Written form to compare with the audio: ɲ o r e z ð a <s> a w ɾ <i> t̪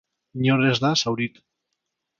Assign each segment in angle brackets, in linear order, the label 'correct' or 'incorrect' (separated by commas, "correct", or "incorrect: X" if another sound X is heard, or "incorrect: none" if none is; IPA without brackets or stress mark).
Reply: correct, correct